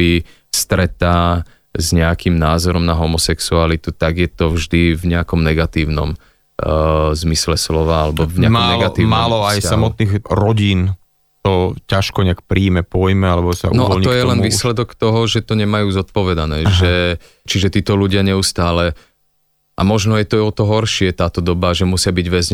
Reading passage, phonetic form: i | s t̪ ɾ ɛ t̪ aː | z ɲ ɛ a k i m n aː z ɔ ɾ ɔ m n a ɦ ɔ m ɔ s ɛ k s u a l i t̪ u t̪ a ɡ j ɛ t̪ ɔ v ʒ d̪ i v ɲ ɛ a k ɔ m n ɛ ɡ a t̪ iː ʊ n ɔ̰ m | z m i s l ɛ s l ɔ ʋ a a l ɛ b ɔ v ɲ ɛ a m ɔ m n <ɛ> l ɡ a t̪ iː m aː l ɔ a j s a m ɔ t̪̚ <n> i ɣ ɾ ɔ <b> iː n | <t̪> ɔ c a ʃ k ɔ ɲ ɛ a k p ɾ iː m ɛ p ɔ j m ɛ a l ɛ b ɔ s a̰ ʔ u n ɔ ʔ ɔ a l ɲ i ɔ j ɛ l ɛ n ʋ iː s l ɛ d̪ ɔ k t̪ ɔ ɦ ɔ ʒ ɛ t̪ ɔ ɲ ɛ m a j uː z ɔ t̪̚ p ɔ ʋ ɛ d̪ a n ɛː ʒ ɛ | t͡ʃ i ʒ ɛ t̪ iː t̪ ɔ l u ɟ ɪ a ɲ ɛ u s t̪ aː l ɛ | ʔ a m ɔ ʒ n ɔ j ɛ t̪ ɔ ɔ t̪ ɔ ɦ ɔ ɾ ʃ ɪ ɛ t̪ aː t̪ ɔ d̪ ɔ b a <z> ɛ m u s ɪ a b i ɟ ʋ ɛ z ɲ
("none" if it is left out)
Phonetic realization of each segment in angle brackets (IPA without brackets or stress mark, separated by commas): ɛ, n, ɟ, t̪, ʒ